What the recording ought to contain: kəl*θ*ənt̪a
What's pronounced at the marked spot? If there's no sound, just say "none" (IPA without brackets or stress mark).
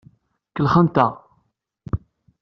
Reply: χ